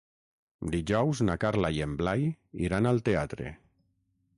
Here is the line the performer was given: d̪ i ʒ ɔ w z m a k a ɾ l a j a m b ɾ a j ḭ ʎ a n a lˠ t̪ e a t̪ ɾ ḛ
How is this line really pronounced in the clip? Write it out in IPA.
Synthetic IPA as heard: d̪ i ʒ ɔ w z n a k a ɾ l a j e m b l a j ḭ ɾ a n a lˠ t̪ e a t̪ ɾ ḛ